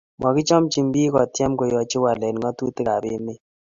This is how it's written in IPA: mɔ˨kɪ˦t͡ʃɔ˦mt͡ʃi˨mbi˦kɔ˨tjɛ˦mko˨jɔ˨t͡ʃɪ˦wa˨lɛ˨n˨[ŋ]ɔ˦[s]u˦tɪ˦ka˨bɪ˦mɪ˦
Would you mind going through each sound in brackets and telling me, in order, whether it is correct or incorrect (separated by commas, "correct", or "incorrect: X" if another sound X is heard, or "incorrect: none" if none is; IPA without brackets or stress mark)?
correct, incorrect: t